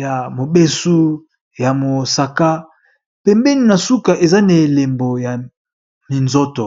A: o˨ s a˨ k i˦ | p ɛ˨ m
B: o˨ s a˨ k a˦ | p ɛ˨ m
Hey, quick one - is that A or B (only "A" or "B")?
B